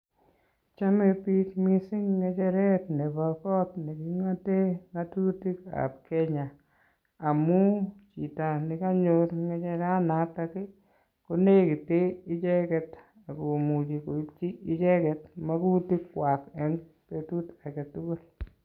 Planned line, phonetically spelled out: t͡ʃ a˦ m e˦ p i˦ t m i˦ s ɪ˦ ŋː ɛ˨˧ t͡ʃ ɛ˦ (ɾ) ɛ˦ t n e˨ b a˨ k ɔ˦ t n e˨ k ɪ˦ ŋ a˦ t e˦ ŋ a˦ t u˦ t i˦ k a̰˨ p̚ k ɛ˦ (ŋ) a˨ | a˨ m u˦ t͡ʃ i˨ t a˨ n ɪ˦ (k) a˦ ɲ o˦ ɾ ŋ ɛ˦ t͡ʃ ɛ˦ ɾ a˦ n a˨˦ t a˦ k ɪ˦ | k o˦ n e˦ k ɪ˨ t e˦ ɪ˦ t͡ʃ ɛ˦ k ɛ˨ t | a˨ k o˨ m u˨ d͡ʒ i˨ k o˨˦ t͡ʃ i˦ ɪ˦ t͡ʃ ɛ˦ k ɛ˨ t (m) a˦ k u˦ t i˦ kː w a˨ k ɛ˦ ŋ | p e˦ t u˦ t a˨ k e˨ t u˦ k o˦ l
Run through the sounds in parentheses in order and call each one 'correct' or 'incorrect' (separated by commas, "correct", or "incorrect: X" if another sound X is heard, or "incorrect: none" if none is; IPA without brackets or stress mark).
correct, incorrect: ɲ, correct, correct